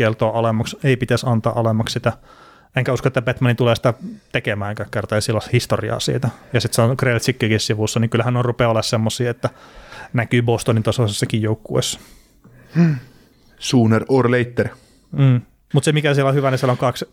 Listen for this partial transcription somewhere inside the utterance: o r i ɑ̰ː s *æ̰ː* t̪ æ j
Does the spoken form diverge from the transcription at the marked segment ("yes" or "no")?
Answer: yes